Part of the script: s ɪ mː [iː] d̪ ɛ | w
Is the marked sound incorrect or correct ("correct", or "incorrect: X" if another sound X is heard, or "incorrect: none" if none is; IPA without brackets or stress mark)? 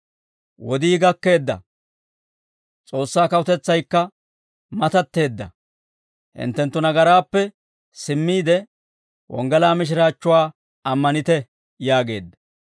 correct